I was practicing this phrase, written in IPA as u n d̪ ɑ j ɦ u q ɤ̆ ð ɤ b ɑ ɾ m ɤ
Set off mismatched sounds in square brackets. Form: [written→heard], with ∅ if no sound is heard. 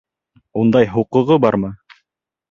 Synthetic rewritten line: u n d̪ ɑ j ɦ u q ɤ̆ [ð→ʁ] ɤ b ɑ ɾ m ɤ